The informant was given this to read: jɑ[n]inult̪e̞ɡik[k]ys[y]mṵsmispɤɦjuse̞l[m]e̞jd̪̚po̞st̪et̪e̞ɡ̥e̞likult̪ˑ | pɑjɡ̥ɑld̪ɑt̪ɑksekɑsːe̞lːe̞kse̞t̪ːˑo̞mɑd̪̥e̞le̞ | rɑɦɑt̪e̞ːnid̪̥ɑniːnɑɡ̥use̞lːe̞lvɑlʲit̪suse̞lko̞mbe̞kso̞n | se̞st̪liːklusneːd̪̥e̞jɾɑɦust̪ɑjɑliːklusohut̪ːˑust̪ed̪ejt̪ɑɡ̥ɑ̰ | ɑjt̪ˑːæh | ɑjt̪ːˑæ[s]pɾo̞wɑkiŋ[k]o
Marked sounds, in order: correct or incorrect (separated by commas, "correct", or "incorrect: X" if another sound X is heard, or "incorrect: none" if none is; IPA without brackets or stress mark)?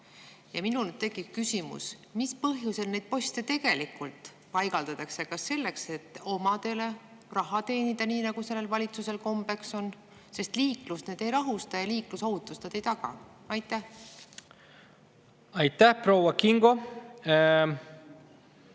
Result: incorrect: m, correct, incorrect: i, incorrect: n, incorrect: h, incorrect: ɡ